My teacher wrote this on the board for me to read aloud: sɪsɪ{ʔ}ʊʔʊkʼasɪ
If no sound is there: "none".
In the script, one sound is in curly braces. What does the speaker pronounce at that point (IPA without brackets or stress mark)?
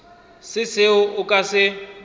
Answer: none